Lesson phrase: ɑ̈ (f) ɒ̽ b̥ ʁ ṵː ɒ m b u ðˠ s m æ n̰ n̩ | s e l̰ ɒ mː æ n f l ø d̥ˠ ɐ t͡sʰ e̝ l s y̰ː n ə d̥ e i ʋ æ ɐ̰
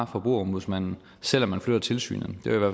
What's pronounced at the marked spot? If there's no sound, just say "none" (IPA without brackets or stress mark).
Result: f